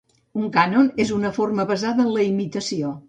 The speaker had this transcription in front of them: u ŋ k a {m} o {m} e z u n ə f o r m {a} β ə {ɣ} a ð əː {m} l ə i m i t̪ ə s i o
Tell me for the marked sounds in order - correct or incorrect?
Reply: incorrect, incorrect, incorrect, incorrect, incorrect

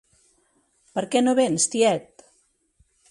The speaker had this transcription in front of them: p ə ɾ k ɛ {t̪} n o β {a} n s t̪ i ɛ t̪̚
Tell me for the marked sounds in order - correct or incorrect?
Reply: incorrect, incorrect

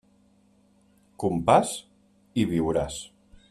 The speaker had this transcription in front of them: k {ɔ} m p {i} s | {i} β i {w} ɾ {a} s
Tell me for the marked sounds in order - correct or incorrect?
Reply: incorrect, incorrect, correct, correct, correct

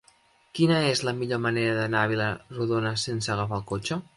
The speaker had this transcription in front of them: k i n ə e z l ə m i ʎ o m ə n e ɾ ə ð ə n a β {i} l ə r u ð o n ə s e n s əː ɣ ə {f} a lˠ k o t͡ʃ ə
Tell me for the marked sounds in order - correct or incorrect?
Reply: correct, correct

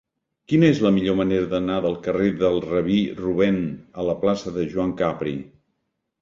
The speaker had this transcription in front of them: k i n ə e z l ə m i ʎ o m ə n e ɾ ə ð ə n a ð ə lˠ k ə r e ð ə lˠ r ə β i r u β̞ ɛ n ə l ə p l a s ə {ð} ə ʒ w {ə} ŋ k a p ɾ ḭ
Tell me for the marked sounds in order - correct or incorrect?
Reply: correct, incorrect

